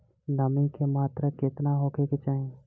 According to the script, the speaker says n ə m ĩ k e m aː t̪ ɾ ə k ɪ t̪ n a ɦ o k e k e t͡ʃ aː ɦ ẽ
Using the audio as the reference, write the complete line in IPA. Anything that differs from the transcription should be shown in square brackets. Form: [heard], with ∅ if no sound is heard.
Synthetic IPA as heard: n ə m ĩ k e m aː t̪ ɾ ə k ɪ t̪ n a ɦ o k e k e t͡ʃ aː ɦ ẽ